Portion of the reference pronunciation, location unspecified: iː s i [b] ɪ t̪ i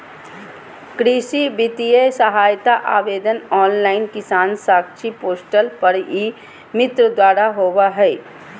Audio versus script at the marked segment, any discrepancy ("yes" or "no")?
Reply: no